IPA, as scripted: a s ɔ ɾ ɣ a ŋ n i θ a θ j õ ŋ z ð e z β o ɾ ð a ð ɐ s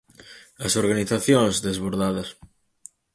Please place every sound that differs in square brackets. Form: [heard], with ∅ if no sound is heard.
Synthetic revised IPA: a s [o] ɾ ɣ a [∅] n i θ a θ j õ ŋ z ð e z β o ɾ ð a ð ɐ s